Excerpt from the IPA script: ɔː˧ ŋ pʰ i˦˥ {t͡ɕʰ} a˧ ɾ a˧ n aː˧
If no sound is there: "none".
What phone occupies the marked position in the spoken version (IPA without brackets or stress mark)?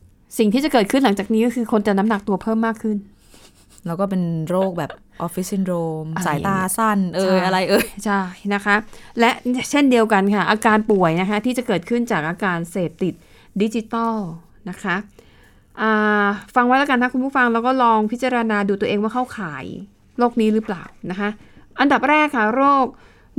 t͡ɕ